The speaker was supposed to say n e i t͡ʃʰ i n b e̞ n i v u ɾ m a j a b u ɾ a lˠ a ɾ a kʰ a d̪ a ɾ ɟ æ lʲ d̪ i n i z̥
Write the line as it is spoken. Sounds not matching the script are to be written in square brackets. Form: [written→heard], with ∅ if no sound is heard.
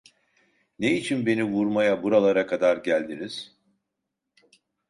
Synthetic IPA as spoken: n e i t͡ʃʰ i n b e̞ n i v u ɾ m a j a b u ɾ a lˠ a ɾ a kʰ a d̪ a ɾ ɟ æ lʲ d̪ i n i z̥